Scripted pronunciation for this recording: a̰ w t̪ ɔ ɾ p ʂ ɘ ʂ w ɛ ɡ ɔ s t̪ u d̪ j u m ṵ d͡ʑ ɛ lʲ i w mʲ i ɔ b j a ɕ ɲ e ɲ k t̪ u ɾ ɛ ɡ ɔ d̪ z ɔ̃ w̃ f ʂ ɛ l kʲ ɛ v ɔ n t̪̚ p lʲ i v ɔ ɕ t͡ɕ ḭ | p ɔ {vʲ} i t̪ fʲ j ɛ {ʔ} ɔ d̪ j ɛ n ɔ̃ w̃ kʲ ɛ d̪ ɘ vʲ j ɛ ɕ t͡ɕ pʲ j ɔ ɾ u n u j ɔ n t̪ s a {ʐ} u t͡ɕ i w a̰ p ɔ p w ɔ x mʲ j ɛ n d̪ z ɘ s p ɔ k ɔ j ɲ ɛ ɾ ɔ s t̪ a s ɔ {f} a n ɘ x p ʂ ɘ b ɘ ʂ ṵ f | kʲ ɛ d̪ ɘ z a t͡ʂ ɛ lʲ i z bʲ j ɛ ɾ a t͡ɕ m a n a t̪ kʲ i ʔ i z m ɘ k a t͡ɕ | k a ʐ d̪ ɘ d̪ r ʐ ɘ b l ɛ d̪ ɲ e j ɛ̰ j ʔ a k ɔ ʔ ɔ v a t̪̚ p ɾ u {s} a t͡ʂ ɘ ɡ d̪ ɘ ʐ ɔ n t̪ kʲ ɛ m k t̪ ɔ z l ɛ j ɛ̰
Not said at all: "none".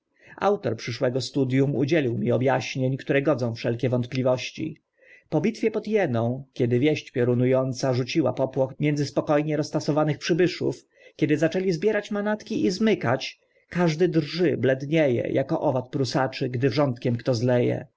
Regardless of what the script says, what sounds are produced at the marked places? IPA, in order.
bʲ, p, ʐ, v, s

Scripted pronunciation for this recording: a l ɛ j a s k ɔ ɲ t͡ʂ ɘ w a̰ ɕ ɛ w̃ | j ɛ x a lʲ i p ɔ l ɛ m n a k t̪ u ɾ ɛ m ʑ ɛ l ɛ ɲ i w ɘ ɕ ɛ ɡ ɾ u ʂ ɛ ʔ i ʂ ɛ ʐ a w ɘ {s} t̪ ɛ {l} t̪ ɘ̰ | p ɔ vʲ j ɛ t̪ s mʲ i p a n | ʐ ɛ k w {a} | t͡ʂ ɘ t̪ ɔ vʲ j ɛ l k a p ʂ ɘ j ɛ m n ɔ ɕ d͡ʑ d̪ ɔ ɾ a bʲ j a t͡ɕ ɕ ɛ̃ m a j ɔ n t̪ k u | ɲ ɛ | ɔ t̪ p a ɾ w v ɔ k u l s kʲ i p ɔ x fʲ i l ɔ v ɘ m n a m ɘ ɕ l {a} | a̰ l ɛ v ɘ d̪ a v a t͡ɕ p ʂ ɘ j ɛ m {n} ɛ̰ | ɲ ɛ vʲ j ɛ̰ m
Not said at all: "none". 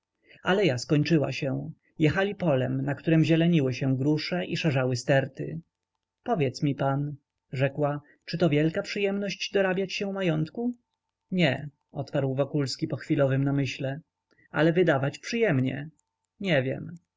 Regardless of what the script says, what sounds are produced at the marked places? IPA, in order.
s, ɾ, a, ɛ, ɲ

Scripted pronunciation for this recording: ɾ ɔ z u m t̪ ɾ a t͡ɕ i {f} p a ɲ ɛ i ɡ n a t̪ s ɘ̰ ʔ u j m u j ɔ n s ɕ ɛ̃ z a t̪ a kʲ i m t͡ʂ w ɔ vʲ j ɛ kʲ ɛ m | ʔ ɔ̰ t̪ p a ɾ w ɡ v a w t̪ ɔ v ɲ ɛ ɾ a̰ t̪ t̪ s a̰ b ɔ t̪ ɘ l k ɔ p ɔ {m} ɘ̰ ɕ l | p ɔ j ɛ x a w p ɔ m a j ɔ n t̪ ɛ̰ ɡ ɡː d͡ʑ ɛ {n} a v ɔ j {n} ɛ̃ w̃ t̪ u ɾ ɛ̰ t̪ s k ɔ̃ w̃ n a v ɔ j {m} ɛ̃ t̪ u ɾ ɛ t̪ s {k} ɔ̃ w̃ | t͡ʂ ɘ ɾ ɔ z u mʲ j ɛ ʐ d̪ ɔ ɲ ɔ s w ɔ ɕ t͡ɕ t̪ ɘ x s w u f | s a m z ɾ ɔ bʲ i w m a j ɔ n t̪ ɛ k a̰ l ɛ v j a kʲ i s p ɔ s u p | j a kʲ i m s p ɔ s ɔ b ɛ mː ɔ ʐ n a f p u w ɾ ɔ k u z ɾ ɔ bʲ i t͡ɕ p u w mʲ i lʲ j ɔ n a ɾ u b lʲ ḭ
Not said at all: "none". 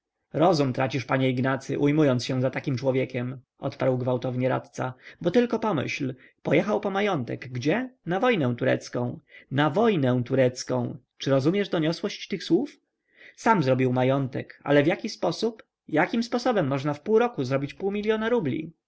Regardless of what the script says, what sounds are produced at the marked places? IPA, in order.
ʂ, m, n, n, n, k

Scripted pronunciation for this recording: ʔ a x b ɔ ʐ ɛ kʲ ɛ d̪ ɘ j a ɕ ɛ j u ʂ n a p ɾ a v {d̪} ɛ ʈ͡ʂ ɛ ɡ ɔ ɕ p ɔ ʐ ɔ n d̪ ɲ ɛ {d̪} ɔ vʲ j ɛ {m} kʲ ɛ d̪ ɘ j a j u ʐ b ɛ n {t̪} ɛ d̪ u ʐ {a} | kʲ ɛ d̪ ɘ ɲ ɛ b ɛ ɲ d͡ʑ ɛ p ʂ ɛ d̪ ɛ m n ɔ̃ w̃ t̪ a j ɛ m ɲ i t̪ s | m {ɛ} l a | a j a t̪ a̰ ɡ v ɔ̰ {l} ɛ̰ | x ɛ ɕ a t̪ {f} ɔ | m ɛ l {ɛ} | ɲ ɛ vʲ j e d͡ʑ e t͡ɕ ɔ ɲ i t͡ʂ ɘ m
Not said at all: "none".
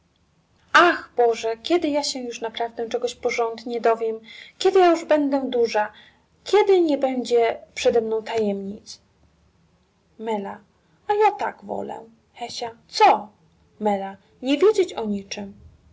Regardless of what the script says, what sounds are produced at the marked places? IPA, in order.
d̪, d̪, m, d̪, a, ɛ, l, s, a

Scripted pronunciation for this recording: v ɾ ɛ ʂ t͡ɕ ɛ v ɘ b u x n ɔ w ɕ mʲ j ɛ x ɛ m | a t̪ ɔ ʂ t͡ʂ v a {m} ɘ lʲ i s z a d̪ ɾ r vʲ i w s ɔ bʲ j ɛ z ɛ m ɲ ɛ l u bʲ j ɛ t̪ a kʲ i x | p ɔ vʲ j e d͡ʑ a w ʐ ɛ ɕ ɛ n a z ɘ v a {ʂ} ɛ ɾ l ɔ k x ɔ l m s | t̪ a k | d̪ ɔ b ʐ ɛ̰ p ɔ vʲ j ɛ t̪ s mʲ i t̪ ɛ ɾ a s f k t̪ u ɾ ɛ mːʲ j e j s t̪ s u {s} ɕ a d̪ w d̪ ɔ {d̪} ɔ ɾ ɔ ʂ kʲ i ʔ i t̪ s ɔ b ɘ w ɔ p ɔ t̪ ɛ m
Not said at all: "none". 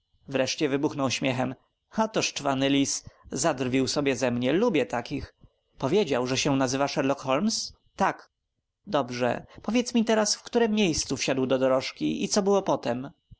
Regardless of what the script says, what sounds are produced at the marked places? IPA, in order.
n, ʂ, f, d̪

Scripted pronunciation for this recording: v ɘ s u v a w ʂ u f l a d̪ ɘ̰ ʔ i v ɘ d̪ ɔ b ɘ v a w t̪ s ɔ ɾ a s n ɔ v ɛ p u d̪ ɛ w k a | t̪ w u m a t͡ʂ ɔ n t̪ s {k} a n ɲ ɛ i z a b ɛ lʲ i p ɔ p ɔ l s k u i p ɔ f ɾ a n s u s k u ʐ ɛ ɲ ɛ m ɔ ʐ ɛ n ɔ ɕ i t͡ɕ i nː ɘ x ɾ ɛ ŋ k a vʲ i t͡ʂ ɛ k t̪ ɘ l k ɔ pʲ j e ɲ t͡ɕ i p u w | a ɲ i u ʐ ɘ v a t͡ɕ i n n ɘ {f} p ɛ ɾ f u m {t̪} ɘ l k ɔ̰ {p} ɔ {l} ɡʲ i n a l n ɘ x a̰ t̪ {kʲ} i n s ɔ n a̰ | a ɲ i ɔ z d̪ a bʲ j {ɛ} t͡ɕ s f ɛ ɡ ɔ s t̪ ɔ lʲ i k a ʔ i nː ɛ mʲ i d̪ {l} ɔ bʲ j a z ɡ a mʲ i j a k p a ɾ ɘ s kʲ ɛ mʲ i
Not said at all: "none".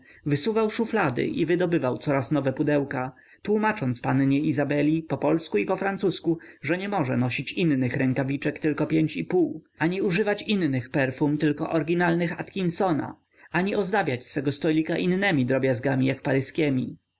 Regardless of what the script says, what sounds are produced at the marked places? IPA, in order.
p, x, t̪, ʔ, ɾ, kʲ, a, ɾ

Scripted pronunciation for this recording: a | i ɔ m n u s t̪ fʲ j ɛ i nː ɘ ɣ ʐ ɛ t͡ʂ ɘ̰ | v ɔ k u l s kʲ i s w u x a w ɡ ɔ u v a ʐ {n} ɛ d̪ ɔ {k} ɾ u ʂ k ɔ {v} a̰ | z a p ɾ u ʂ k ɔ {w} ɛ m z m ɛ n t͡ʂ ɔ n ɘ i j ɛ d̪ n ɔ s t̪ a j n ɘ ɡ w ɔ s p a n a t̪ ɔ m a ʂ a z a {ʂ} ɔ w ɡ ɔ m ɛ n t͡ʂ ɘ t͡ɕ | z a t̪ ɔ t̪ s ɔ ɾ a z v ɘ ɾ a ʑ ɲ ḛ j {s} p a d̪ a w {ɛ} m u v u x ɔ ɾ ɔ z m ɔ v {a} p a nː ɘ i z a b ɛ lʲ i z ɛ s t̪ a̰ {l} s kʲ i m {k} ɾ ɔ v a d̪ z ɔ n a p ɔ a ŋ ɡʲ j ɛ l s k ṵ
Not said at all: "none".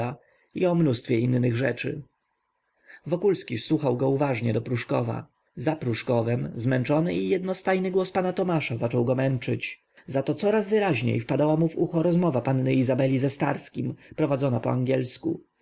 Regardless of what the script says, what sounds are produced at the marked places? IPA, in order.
ɲ, p, v, v, t͡ʂ, f, a, a, ɾ, p

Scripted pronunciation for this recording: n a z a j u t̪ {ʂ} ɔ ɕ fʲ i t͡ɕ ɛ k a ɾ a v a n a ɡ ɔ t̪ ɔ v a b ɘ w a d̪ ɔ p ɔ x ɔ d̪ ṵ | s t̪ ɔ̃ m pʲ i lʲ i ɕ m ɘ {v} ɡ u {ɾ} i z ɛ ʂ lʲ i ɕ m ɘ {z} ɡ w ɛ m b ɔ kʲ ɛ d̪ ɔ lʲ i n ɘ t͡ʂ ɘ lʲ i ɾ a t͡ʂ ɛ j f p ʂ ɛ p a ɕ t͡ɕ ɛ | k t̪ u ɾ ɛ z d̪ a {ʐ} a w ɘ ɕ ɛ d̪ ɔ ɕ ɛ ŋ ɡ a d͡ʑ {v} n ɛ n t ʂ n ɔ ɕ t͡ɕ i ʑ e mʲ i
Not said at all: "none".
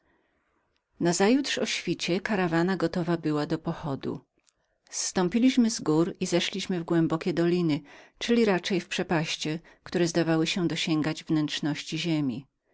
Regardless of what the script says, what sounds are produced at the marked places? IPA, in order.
ʂ, z, ɾ, v, v, v

